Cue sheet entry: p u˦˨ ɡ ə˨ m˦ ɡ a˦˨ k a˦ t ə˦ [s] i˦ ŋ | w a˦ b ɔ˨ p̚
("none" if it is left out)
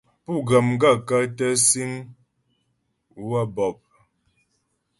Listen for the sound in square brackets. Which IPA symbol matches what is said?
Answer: s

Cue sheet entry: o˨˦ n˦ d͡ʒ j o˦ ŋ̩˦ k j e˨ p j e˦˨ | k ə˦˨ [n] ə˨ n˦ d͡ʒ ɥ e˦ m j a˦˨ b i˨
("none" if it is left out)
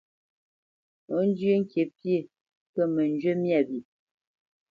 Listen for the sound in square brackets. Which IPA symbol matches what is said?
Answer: m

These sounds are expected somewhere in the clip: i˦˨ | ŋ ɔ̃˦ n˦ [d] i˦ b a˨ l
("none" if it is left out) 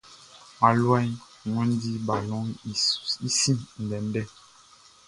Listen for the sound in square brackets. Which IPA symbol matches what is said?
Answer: d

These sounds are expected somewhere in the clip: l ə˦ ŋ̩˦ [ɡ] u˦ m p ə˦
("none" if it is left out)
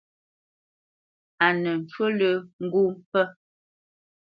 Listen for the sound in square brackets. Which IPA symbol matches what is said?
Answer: ɡ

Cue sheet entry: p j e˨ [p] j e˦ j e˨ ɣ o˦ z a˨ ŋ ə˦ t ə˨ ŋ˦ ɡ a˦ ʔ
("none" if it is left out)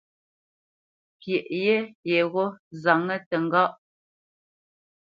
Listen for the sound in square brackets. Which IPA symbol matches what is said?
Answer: ʔ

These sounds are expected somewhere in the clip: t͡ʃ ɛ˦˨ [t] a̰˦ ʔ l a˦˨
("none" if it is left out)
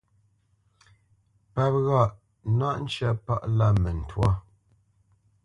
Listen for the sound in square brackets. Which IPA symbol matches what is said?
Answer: p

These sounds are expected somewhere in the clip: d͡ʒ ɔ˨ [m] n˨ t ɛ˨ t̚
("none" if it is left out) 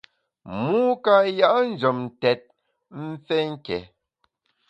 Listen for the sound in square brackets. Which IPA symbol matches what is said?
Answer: m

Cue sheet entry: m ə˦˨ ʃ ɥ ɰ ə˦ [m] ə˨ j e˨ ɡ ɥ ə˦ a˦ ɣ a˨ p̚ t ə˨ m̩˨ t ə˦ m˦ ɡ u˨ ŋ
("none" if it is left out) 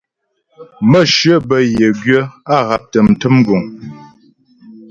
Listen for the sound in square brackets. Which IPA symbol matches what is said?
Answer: b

